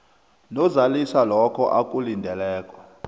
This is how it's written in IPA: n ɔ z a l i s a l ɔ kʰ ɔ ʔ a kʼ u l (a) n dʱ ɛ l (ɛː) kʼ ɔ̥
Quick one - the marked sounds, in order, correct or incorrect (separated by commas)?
incorrect, correct